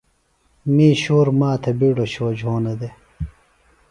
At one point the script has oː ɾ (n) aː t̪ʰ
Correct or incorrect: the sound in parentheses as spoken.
incorrect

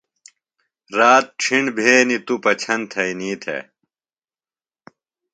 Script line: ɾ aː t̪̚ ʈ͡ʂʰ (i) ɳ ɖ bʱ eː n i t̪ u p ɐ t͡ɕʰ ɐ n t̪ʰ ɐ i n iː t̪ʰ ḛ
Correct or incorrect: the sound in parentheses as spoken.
correct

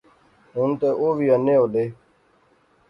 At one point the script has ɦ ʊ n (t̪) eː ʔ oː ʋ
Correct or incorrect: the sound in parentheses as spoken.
correct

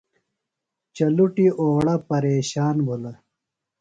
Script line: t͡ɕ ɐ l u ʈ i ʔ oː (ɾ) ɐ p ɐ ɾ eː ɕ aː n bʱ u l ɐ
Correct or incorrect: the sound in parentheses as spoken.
incorrect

